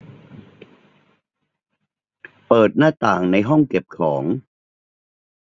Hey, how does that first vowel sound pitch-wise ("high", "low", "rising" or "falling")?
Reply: low